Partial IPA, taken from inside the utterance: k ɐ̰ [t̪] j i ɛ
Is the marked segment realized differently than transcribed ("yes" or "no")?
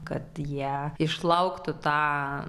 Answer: no